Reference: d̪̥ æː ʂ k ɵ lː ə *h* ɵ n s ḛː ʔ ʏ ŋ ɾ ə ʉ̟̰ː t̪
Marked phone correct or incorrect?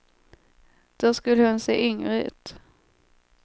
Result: correct